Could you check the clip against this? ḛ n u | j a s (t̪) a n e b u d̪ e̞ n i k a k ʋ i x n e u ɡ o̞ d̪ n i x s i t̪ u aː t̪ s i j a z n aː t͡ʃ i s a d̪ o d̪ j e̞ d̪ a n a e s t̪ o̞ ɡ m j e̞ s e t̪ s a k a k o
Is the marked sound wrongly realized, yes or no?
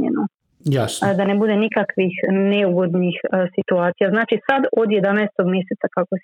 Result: yes